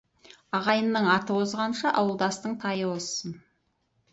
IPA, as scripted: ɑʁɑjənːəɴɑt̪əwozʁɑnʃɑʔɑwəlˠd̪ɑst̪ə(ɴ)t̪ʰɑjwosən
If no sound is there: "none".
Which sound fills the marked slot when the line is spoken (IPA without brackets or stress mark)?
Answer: ɴ